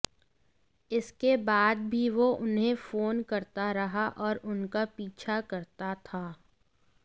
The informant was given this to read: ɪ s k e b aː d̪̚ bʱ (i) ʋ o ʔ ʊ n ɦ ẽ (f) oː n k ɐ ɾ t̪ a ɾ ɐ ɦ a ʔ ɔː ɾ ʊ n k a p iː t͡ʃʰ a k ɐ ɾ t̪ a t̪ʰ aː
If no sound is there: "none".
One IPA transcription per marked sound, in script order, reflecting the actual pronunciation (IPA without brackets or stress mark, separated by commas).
i, f